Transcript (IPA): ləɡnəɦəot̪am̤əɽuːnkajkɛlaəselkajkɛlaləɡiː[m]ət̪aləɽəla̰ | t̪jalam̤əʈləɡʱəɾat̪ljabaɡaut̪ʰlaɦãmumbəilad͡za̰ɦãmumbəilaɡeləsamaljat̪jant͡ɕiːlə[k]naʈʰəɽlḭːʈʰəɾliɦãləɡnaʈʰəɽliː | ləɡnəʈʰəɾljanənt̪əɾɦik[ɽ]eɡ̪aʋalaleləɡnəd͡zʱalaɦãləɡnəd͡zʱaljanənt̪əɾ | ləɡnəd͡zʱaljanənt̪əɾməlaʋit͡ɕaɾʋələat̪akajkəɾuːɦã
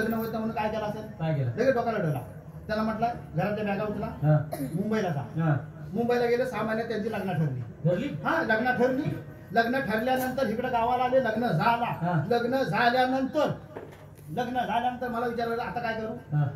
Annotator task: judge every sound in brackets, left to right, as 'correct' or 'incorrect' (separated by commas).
incorrect, incorrect, correct